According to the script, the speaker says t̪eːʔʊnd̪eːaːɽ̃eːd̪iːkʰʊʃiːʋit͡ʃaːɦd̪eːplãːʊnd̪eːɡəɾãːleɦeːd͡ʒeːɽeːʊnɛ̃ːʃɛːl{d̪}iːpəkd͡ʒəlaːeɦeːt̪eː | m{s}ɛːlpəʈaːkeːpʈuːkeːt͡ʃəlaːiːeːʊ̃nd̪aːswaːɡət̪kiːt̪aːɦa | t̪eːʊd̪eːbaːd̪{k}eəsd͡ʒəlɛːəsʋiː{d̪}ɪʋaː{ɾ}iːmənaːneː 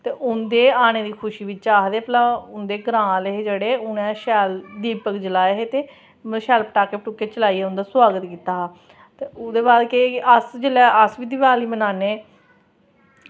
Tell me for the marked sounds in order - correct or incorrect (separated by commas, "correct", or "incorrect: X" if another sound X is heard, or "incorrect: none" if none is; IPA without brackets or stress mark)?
correct, incorrect: ʃ, correct, correct, incorrect: l